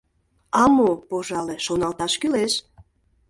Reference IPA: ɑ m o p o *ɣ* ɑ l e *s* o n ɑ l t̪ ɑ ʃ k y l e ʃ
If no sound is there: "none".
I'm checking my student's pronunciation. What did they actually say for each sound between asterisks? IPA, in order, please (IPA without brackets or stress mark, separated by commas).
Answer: ʒ, ʃ